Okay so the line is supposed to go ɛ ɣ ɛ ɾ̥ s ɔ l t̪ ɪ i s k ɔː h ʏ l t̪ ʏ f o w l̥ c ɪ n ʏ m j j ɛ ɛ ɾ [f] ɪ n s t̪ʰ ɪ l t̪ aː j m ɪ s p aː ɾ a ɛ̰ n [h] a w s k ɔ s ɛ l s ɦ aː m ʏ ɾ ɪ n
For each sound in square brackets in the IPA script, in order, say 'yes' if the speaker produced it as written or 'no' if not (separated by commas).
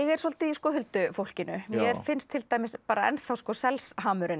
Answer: yes, no